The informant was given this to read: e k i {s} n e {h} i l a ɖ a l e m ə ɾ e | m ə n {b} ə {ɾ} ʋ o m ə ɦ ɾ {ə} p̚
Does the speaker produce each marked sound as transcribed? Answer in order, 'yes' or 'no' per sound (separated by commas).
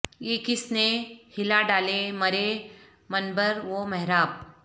yes, yes, yes, yes, no